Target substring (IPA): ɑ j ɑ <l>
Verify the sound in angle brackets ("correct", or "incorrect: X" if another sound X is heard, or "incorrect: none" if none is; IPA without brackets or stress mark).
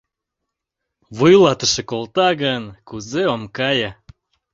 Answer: incorrect: none